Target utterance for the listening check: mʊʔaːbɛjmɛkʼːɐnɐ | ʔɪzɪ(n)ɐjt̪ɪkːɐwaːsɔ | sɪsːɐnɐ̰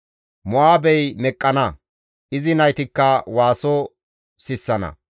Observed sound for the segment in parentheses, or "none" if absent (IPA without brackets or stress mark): n